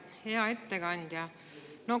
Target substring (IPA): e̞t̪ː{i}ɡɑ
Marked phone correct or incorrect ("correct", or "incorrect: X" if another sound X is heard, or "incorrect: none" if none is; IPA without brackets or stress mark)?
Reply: incorrect: e